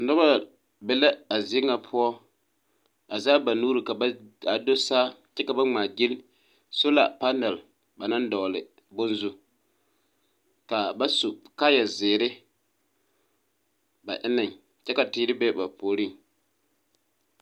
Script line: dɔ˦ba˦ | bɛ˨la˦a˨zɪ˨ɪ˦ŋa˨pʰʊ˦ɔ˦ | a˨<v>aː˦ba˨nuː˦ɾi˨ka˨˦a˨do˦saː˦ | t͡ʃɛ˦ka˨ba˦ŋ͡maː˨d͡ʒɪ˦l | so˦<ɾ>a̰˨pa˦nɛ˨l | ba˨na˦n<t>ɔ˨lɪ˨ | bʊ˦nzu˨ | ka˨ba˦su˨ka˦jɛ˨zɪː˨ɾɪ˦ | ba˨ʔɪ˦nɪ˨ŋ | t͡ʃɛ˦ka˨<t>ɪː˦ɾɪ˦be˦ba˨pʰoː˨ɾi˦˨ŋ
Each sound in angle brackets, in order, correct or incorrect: incorrect: z, incorrect: l, incorrect: d, correct

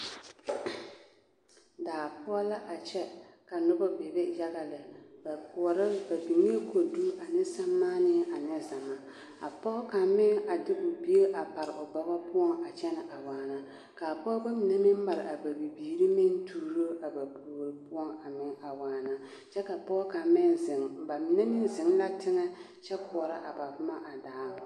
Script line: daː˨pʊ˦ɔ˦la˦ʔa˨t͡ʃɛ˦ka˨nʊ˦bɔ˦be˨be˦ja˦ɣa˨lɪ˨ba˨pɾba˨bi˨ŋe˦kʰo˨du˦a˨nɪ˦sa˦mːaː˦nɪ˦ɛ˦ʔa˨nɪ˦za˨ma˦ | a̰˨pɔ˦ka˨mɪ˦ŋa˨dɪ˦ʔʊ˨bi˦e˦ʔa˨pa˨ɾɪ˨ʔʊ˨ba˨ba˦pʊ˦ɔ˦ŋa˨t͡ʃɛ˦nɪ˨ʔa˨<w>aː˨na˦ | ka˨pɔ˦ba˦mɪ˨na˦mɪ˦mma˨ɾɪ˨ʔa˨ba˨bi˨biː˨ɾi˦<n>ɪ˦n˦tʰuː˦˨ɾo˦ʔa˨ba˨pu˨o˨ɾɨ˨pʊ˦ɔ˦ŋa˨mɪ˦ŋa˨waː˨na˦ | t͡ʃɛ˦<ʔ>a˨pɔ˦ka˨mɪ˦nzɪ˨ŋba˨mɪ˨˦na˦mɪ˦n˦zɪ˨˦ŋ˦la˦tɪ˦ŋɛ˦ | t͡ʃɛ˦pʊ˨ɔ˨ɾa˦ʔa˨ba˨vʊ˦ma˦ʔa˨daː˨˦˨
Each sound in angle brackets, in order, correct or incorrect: correct, incorrect: m, incorrect: k

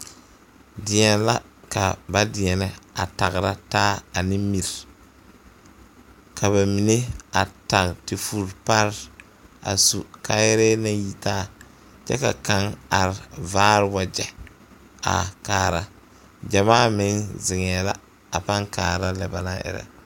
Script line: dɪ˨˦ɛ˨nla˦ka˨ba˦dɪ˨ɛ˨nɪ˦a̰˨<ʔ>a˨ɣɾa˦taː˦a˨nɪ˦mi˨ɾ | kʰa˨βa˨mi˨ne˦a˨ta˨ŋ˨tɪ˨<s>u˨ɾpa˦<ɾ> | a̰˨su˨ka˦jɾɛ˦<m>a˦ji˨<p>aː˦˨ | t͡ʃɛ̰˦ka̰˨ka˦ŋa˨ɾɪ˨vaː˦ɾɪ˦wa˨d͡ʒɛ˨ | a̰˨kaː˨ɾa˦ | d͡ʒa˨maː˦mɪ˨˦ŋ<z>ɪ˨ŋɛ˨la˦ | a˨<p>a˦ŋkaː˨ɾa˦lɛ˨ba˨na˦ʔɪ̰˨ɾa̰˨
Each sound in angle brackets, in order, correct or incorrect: incorrect: t, incorrect: f, correct, incorrect: n, incorrect: t, correct, correct

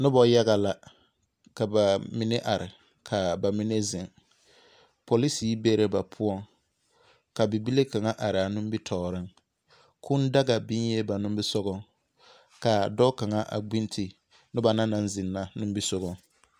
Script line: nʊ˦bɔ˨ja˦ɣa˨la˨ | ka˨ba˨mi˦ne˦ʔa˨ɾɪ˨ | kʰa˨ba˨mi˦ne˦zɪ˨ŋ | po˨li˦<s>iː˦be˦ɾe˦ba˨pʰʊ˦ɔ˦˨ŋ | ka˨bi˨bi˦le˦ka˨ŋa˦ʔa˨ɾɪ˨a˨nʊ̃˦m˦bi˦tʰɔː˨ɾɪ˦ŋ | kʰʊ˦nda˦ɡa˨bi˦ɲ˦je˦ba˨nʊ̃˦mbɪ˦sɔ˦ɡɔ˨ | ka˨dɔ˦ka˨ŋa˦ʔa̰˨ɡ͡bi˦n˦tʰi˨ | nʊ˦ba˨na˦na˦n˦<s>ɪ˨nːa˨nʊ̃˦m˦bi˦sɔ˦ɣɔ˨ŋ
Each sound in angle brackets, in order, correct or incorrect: correct, incorrect: z

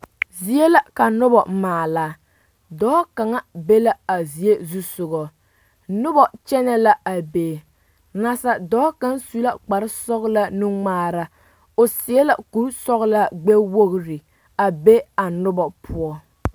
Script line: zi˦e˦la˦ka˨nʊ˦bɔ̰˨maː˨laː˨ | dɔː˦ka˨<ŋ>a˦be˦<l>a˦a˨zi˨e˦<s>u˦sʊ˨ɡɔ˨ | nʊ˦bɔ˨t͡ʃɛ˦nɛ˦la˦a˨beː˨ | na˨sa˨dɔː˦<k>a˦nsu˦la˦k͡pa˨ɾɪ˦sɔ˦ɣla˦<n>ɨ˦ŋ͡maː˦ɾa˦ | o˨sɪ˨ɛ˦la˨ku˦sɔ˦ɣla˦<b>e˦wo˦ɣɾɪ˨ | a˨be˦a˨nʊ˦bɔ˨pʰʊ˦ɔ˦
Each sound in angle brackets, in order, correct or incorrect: correct, correct, incorrect: z, correct, correct, incorrect: ɡ͡b

